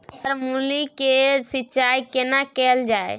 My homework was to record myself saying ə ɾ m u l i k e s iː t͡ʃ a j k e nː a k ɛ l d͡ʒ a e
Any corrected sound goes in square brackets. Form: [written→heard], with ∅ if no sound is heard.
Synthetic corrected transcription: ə ɾ m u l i k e s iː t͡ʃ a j k e [nː→n] a k ɛ l d͡ʒ a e